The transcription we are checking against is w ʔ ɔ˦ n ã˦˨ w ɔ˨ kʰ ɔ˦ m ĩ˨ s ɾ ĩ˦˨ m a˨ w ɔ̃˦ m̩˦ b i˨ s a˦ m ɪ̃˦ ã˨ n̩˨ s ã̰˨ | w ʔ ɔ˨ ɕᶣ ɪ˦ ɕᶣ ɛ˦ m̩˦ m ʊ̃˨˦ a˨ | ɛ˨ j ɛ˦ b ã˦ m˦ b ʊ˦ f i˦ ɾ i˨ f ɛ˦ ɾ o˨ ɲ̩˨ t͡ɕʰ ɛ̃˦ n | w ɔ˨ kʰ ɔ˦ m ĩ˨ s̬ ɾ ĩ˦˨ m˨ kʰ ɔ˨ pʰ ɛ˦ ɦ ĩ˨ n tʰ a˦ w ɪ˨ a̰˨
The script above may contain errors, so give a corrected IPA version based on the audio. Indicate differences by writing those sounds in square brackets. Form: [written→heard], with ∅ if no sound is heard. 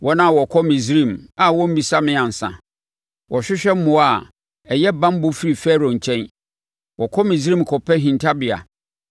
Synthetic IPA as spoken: w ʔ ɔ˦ n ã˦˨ w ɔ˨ kʰ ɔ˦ m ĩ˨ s ɾ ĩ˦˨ m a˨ w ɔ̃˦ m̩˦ b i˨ s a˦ m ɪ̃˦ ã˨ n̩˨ s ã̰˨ | w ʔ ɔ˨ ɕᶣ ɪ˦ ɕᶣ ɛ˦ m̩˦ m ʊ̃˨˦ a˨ | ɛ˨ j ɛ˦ b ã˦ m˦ b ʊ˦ f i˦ ɾ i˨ f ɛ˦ ɾ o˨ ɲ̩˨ t͡ɕʰ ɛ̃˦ n | w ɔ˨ kʰ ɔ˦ m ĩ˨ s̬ ɾ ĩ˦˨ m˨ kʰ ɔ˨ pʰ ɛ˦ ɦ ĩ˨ n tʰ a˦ [w→b] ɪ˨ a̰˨